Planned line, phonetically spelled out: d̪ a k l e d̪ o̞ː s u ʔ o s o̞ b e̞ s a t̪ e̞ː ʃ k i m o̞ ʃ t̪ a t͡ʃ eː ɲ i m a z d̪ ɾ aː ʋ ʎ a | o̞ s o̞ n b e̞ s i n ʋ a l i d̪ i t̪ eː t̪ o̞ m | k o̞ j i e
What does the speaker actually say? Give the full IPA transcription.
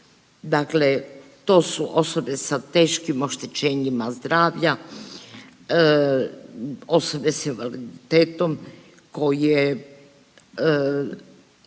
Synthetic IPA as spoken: d̪ a k l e t̪ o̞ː s u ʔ o s o̞ b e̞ s a t̪ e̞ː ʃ k i m o̞ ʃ t̪ e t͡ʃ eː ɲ i m a z d̪ ɾ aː ʋ ʎ a | o̞ s o̞ b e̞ s i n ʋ a l i d̪ i t̪ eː t̪ o̞ m | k o̞ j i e